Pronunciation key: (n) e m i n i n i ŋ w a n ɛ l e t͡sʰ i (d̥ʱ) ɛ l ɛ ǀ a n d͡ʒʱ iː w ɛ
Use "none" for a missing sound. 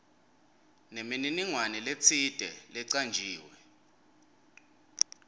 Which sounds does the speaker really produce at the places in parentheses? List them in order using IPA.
n, d̥ʱ

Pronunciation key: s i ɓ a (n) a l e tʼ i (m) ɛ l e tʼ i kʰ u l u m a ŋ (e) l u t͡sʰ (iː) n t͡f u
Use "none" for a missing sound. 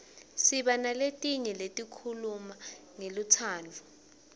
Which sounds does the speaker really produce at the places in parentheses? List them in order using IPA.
n, ɲ, e, aː

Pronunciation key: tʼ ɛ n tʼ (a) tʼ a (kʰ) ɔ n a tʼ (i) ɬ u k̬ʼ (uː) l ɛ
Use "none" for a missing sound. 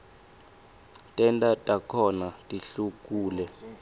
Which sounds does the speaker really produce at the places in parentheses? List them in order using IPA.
a, kʰ, i, uː

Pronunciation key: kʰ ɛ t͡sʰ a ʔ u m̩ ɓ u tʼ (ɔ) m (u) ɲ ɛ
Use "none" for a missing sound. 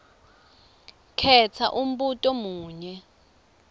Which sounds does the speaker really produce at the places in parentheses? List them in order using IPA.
ɔ, uː

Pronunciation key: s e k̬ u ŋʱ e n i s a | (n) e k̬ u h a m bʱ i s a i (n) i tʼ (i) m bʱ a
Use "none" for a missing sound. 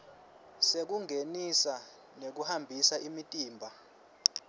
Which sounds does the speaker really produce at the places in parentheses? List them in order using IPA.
n, m, iː

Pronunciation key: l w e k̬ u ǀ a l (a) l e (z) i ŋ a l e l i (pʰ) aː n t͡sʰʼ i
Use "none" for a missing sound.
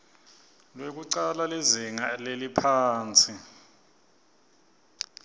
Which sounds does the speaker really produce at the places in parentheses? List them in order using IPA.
a, z, pʰ

